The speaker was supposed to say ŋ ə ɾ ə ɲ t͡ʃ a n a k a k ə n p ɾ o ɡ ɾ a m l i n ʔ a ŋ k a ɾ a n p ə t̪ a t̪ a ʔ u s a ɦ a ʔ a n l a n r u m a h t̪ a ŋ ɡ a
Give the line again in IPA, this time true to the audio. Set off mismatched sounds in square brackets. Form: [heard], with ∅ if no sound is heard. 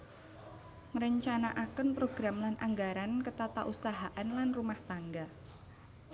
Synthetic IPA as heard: ŋ ə ɾ ə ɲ t͡ʃ a n a [ʔ] a k ə n p ɾ o ɡ ɾ a m l [a] n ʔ a ŋ [ɡ] a ɾ a n [k] ə t̪ a t̪ a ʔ u s a ɦ a ʔ a n l a n r u m a h t̪ a ŋ ɡ a